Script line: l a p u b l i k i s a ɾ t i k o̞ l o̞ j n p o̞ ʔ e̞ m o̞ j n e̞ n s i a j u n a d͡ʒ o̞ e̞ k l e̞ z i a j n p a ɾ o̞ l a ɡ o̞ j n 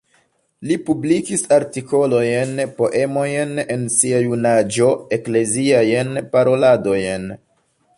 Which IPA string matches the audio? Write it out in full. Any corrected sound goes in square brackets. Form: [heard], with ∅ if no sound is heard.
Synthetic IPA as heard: l [i] p u b l i k i s a ɾ t i k o̞ l o̞ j n p o̞ ʔ e̞ m o̞ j n e̞ n s i a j u n a d͡ʒ o̞ e̞ k l e̞ z i a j n p a ɾ o̞ l a [d] o̞ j n